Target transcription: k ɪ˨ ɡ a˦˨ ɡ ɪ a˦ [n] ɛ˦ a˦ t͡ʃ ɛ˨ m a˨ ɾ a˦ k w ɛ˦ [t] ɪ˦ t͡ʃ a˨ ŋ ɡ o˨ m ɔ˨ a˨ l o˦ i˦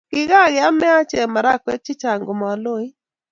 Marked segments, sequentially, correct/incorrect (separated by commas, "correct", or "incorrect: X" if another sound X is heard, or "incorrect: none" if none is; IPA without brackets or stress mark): incorrect: m, incorrect: t͡ʃ